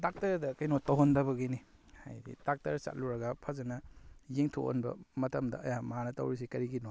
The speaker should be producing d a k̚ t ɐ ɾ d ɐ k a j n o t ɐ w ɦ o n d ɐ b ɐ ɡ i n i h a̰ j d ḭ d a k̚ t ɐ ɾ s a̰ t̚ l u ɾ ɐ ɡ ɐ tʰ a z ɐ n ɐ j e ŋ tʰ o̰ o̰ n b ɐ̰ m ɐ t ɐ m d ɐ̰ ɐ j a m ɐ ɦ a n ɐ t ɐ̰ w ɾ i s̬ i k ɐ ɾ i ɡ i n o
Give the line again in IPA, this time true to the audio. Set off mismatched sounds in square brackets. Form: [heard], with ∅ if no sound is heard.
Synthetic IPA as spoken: d a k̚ t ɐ ɾ d ɐ k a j n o t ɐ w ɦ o n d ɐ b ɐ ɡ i n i h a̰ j d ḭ d a k̚ t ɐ ɾ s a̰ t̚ l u ɾ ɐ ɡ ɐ [pʰ] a z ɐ n ɐ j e ŋ tʰ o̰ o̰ n b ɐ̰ m ɐ t ɐ m d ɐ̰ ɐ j a m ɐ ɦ a n ɐ t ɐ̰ w ɾ i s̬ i k ɐ ɾ i ɡ i n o

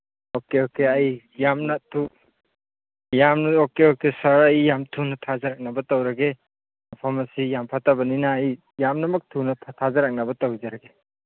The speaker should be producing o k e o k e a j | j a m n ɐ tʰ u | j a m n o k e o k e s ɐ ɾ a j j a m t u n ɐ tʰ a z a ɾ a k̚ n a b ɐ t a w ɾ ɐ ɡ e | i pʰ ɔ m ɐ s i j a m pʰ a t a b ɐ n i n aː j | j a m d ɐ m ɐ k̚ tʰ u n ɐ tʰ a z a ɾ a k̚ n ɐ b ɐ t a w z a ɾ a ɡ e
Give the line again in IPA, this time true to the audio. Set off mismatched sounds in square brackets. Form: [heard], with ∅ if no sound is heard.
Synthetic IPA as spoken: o k e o k e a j | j a m n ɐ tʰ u | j a m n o k e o k e s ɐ ɾ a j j a m [tʰ] u n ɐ tʰ a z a ɾ a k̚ n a b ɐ t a w ɾ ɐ ɡ e | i pʰ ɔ m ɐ s i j a m pʰ a t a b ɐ n i n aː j | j a m [n] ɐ m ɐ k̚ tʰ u n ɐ tʰ a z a ɾ a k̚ n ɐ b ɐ t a w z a ɾ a ɡ e

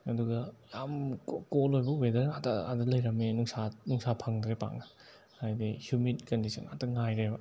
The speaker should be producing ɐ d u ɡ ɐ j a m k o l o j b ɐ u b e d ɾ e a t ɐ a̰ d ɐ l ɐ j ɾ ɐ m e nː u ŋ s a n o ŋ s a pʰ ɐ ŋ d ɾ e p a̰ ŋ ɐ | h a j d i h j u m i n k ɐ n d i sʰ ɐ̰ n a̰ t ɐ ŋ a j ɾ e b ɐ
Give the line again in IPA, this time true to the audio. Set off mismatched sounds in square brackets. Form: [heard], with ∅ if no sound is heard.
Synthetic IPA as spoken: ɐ d u ɡ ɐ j a m k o l o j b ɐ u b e d ɾ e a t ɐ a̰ d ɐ l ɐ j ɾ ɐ m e [n] u ŋ s a n [u] ŋ s a pʰ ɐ ŋ d ɾ e p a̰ ŋ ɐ | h a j d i h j u m i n k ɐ n d i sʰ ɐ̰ n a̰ t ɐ ŋ a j ɾ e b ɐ

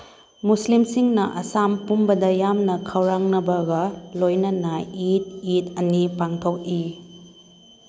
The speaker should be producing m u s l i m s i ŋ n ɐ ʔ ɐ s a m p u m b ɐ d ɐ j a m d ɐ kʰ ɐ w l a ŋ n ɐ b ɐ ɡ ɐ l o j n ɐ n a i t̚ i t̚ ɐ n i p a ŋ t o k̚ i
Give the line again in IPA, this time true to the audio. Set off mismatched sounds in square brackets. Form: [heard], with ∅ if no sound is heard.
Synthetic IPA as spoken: m u s l i m s i ŋ n ɐ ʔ ɐ s a m p u m b ɐ d ɐ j a m [n] ɐ kʰ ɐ w [ɾ] a ŋ n ɐ b ɐ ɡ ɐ l o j n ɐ n a i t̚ i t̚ ɐ n i p a ŋ [tʰ] o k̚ i

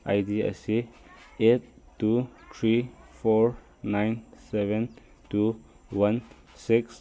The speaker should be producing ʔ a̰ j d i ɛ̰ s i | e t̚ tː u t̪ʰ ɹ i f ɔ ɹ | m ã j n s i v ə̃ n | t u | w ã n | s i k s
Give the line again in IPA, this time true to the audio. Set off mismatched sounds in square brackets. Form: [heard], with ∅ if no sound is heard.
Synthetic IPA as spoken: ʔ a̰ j d i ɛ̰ s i | e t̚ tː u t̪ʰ ɹ i f ɔ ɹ | [n] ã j n s [ɛ] v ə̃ n | t u | w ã n | s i k s

